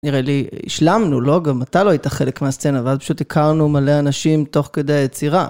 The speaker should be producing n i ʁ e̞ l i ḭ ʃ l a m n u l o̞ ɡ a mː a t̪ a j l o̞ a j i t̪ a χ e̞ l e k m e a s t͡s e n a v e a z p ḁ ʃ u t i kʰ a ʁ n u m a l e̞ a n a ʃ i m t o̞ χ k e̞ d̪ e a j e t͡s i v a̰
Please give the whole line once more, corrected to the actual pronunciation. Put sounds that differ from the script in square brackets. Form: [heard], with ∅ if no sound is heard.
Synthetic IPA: n i ʁ e̞ l i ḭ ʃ l a m n u l o̞ ɡ a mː a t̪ a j l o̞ a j i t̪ a χ e̞ l e k m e a s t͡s e n a v e a z p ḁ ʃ u t i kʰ a ʁ n u m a l e̞ a n a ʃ i m t o̞ χ k e̞ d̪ e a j e t͡s i [ʁ] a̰